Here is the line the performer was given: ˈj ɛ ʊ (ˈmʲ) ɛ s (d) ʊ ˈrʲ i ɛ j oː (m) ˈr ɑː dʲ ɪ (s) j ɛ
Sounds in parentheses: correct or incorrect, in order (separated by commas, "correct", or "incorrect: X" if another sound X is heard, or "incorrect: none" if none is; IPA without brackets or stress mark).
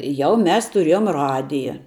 correct, incorrect: t, correct, incorrect: none